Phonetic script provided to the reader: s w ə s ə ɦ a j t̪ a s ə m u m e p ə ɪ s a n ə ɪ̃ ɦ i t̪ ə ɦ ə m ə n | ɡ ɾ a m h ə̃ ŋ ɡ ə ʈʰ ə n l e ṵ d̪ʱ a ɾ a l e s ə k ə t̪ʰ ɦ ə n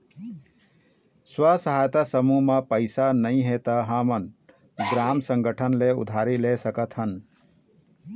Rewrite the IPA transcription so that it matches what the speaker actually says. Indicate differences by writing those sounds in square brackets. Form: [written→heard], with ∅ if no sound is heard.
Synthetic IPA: s w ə s ə ɦ a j t̪ a s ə m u m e p ə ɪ s a n ə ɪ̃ ɦ [i→e] t̪ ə ɦ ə m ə n | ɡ ɾ a m [h→s] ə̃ ŋ ɡ ə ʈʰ ə n l e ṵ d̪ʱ a ɾ [a→i] l e s ə k ə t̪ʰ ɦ ə n